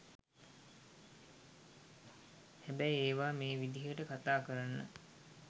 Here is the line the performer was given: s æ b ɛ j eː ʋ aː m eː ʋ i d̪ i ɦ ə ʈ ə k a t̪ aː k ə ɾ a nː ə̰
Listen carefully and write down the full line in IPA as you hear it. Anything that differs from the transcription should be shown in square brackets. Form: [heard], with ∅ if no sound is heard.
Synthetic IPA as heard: [h] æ b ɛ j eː ʋ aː m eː ʋ i d̪ i ɦ ə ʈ ə k a t̪ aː k ə ɾ a nː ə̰